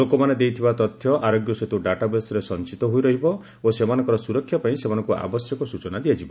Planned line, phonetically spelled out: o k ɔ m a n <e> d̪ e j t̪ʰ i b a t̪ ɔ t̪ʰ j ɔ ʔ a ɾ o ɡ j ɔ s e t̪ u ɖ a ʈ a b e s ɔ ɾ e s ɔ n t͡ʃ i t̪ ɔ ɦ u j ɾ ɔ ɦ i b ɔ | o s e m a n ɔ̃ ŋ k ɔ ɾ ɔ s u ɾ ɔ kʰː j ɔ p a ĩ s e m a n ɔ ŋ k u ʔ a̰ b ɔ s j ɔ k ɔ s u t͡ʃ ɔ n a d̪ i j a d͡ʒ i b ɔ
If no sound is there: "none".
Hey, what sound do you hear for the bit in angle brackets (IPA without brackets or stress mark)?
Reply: e